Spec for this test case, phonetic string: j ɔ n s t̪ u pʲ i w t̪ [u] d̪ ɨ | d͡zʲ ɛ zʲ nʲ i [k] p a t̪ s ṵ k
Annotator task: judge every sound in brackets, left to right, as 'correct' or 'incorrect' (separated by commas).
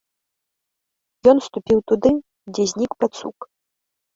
correct, correct